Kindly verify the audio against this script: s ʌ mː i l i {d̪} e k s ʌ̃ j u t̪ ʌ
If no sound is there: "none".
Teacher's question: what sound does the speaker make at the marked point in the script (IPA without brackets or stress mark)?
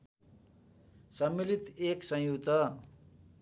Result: t̪